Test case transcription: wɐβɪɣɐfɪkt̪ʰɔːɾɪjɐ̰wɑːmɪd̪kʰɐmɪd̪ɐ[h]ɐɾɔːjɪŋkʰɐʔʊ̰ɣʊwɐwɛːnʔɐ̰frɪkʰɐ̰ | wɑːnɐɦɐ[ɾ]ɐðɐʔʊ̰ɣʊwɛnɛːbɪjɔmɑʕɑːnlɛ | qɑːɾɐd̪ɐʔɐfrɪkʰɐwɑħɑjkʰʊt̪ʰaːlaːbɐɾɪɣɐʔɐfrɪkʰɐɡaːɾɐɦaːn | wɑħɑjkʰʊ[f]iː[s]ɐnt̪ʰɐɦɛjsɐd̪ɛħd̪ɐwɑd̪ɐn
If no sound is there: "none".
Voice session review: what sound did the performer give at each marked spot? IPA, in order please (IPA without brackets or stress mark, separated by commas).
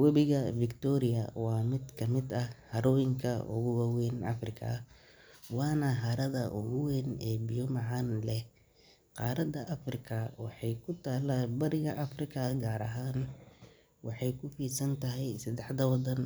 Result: h, ɾ, f, s